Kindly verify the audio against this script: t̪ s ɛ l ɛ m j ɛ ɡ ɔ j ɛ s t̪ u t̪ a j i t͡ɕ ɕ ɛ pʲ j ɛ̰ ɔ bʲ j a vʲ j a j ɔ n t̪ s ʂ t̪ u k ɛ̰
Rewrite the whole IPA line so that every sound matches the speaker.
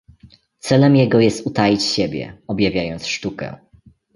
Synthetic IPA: t̪ s ɛ l ɛ m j ɛ ɡ ɔ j ɛ s t̪ u t̪ a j i t͡ɕ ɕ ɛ bʲ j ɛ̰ ɔ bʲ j a vʲ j a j ɔ n t̪ s ʂ t̪ u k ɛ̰